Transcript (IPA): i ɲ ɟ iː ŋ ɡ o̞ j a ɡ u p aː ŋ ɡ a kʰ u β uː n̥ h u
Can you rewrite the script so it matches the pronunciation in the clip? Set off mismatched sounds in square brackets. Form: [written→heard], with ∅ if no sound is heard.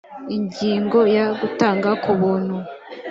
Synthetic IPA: i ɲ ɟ iː ŋ ɡ o̞ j a ɡ u [p→t] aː ŋ ɡ a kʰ u β uː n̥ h u